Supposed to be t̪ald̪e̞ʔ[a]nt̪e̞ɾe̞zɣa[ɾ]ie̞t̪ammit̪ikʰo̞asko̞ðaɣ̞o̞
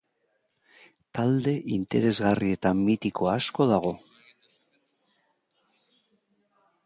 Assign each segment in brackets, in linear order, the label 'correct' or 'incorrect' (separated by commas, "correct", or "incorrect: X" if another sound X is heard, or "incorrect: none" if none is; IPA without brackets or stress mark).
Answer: incorrect: i, incorrect: r